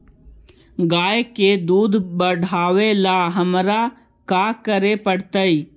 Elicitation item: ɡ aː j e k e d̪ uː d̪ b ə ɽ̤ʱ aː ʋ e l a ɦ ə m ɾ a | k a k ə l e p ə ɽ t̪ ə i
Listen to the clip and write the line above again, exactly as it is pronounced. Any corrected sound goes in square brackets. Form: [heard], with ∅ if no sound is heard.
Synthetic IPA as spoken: ɡ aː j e k e d̪ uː d̪ b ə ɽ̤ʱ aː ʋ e l a ɦ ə m ɾ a | k a k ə [ɾ] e p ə ɽ t̪ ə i